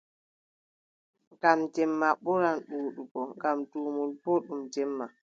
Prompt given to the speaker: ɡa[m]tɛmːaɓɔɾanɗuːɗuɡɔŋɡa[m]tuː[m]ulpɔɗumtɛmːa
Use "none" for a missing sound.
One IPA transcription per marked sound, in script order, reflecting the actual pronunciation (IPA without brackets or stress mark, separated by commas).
m, m, m